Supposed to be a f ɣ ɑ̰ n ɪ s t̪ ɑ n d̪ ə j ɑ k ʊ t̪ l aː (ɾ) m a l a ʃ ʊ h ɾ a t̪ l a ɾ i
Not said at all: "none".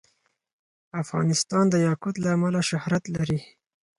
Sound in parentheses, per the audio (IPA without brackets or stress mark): none